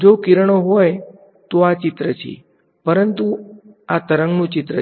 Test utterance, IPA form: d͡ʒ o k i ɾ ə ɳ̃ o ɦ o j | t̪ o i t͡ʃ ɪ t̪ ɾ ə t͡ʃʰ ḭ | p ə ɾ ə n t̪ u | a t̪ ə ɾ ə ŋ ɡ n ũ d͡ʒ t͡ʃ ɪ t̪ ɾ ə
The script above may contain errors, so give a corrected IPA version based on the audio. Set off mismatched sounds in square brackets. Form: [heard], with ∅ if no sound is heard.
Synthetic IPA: d͡ʒ o k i ɾ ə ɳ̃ o ɦ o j | t̪ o [a] t͡ʃ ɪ t̪ ɾ ə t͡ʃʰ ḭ | p ə ɾ ə n t̪ u | a t̪ ə ɾ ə ŋ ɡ n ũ [∅] t͡ʃ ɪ t̪ ɾ ə